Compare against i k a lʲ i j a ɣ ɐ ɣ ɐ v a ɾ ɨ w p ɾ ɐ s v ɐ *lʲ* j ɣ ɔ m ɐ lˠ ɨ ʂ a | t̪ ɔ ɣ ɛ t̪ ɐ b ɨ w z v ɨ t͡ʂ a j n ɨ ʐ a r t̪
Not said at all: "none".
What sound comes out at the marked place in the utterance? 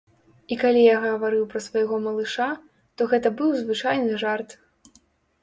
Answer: none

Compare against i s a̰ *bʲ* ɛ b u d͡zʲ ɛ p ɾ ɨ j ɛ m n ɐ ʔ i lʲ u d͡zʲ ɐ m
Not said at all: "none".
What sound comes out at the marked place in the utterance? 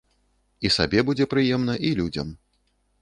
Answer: bʲ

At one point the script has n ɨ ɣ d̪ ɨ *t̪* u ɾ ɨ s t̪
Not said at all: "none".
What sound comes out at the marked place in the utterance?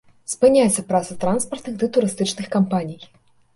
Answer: t̪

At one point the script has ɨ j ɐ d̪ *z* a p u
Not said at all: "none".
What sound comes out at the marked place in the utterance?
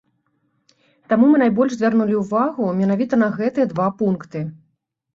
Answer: v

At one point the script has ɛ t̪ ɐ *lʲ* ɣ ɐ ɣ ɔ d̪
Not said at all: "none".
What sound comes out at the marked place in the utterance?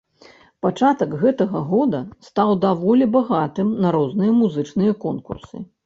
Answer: none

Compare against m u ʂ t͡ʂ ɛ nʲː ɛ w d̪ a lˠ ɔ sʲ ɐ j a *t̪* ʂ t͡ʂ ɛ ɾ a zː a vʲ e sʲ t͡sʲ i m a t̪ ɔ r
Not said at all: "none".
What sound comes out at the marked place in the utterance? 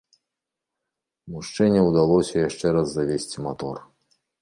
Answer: none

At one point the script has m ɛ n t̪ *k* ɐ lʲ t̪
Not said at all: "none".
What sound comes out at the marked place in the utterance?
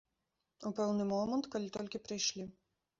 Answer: k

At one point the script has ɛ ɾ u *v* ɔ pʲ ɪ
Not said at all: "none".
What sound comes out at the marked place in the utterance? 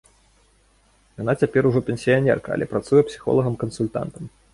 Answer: ʐ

